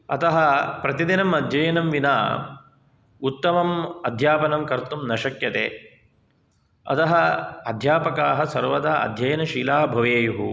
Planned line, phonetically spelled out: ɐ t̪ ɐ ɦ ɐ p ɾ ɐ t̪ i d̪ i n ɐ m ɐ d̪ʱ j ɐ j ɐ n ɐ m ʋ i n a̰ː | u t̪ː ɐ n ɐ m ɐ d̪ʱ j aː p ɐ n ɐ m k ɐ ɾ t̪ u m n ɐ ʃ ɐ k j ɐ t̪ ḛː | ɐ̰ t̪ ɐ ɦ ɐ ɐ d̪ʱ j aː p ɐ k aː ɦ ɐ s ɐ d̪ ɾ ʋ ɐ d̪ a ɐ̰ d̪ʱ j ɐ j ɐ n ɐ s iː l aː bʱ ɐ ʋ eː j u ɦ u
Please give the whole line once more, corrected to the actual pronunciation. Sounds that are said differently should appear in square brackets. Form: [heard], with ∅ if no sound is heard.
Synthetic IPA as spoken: ɐ t̪ ɐ ɦ ɐ p ɾ ɐ t̪ i d̪ i n ɐ m ɐ d̪ʱ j ɐ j ɐ n ɐ m ʋ i n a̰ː | u t̪ː ɐ [m] ɐ m ɐ d̪ʱ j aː p ɐ n ɐ m k ɐ ɾ t̪ u m n ɐ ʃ ɐ k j ɐ t̪ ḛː | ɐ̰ t̪ ɐ ɦ ɐ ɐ d̪ʱ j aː p ɐ k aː ɦ ɐ s ɐ [∅] ɾ ʋ ɐ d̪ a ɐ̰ d̪ʱ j ɐ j ɐ n ɐ [ʃ] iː l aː bʱ ɐ ʋ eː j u ɦ u